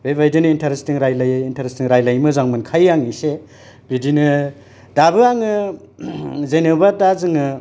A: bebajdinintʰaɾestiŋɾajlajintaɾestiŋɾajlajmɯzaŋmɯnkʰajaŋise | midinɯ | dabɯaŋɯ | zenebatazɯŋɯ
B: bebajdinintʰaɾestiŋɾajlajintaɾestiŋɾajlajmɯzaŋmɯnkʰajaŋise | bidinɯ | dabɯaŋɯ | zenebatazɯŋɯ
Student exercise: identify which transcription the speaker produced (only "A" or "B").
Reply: B